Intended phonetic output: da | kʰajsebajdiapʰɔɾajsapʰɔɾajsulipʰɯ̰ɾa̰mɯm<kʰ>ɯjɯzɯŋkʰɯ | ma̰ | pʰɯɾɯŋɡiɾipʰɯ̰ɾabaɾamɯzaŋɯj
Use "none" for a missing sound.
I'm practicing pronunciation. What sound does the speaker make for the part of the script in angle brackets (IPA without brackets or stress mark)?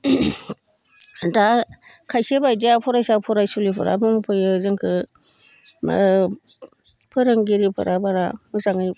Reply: pʰ